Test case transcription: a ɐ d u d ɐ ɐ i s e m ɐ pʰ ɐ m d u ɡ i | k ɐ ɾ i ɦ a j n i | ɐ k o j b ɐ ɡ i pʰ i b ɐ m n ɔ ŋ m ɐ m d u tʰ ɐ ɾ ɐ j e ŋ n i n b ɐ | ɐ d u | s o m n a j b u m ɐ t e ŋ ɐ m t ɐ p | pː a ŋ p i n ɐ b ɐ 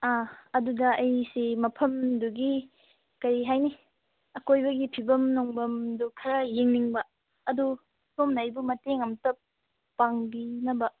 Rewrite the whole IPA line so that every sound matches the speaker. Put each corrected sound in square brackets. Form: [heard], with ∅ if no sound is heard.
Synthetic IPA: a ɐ d u d ɐ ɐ [j] s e m ɐ pʰ ɐ m d u ɡ i | k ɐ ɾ i ɦ a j n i | ɐ k o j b ɐ ɡ i pʰ i b ɐ m n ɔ ŋ [b] ɐ m d u [kʰ] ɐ ɾ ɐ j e ŋ n i [ŋ] b ɐ | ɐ d u | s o m n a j b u m ɐ t e ŋ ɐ m t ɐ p | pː a ŋ [b] i n ɐ b ɐ